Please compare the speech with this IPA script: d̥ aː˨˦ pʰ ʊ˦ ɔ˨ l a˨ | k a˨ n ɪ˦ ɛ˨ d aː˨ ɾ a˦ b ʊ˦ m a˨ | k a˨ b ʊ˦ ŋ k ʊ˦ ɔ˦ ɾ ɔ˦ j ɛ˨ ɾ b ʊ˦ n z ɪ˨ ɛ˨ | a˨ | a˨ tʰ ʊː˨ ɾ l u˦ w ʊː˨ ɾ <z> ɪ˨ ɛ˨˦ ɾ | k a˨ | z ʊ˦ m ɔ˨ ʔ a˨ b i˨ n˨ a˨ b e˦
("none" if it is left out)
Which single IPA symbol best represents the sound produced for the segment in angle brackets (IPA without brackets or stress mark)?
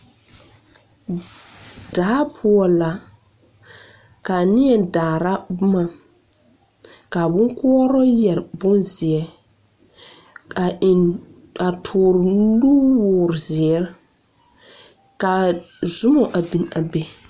z